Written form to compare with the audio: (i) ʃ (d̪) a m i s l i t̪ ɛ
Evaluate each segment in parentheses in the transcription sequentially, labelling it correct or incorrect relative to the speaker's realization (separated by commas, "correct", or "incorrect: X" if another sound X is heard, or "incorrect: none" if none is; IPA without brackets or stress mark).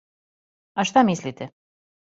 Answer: incorrect: a, incorrect: t̪